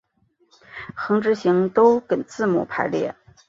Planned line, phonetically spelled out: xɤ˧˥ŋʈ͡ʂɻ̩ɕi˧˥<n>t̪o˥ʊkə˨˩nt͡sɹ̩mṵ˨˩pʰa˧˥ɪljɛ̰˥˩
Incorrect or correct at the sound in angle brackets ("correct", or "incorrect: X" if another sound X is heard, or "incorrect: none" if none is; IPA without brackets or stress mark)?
incorrect: ŋ